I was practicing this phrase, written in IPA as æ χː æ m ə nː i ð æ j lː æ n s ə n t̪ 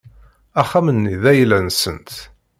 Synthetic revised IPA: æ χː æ m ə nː i ð æ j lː æ n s ə n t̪